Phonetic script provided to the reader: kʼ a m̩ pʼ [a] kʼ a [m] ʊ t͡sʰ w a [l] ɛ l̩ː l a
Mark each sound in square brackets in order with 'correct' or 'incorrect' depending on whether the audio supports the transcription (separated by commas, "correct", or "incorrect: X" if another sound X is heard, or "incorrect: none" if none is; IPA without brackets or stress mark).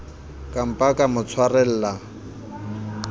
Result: correct, correct, incorrect: r